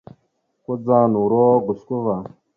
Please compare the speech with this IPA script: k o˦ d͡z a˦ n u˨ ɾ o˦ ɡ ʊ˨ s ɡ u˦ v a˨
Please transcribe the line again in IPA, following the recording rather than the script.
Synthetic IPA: k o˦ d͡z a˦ n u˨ ɾ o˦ ɡ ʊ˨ s k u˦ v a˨